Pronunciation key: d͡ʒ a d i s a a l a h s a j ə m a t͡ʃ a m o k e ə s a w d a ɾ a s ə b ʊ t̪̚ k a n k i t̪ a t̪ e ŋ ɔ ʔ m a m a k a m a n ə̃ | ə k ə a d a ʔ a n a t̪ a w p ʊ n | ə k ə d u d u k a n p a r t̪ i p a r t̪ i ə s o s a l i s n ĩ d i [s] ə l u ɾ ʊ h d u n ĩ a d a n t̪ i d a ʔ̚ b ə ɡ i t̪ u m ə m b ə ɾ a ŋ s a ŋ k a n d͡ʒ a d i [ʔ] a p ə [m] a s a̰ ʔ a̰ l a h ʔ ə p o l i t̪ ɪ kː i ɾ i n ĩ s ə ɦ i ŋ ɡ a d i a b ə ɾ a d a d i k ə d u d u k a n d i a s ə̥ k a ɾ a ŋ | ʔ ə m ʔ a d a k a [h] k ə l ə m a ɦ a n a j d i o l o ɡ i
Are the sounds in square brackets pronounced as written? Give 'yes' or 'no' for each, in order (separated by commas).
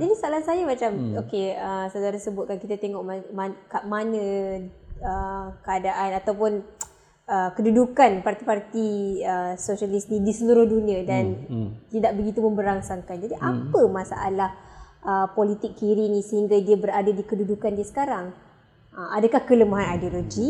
yes, yes, yes, yes